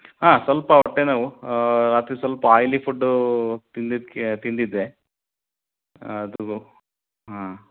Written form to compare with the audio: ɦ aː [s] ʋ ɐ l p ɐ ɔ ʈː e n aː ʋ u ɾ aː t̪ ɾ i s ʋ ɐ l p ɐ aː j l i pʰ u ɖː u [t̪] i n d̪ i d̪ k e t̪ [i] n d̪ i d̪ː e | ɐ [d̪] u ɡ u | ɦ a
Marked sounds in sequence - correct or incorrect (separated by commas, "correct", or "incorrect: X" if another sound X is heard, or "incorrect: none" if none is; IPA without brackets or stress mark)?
correct, correct, correct, correct